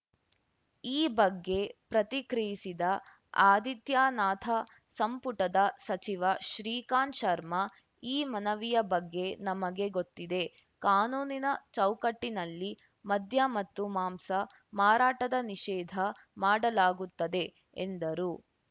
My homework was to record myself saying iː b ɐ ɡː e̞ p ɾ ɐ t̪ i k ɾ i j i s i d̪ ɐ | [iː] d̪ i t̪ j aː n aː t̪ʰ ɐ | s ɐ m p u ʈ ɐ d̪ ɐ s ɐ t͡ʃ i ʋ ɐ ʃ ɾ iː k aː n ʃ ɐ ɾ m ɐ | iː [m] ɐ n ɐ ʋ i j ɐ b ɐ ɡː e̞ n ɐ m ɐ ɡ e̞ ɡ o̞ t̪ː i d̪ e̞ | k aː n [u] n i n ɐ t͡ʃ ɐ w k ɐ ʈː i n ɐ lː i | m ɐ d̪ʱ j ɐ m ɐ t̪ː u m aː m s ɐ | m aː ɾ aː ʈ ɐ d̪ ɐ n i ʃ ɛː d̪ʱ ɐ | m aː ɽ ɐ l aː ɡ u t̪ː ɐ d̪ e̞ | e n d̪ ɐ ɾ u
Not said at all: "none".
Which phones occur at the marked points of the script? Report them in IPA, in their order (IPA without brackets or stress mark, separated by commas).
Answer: aː, m, uː